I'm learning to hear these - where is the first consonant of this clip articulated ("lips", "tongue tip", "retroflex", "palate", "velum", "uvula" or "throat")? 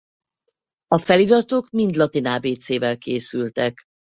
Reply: lips